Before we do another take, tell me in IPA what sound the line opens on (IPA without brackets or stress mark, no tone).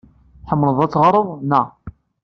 ħ